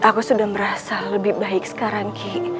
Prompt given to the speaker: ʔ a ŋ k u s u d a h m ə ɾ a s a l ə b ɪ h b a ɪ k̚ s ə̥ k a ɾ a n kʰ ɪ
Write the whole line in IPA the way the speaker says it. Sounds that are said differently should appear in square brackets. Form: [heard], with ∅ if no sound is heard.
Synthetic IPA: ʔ a [∅] k u s u d a h m ə ɾ a s a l ə b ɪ h b a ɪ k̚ s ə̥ k a ɾ a [ŋ] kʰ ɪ